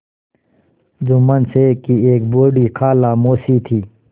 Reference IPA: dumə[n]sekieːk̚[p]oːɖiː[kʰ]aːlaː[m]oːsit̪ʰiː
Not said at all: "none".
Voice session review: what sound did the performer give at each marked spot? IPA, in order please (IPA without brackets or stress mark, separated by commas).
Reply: n, b, kʰ, m